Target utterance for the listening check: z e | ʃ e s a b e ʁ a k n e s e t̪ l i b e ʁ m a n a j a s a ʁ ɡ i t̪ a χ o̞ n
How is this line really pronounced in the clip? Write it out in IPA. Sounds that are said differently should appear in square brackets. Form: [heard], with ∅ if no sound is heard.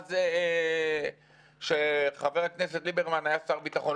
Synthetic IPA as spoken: z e | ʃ e [χ] a [v] e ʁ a k n e s e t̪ l i b e ʁ m a n a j a s a ʁ [b] i t̪ a χ o̞ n